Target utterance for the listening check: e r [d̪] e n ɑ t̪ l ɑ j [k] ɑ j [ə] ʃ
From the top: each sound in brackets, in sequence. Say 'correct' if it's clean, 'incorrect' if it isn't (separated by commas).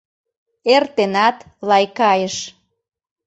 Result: incorrect, correct, correct